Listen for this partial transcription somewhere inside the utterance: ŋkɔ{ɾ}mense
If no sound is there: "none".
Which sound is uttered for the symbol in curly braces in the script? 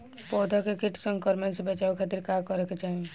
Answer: ɾ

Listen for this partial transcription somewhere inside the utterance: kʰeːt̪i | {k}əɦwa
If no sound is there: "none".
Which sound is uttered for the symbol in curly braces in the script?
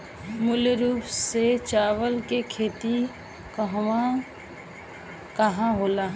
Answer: k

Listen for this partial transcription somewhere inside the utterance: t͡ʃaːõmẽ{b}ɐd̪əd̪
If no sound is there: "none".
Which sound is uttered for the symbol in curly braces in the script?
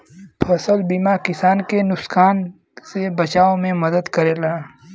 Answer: m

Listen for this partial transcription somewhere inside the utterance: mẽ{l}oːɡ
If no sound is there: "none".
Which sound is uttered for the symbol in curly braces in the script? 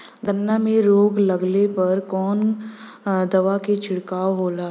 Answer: ɾ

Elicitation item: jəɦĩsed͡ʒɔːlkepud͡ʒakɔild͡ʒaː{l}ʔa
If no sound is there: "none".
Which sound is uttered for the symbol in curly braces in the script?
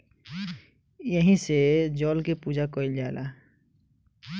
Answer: l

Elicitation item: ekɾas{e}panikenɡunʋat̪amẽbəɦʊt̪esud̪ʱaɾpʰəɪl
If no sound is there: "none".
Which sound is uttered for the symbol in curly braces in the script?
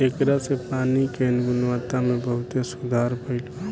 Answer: e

